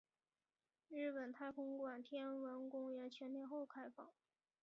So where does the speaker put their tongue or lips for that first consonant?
retroflex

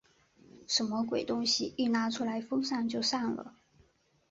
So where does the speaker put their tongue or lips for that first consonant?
retroflex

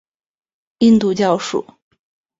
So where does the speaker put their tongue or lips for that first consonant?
tongue tip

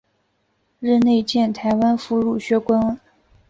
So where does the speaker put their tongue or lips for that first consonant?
retroflex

